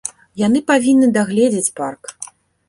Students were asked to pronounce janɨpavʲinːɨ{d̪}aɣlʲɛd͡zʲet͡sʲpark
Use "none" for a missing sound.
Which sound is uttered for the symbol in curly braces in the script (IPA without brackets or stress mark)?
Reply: d̪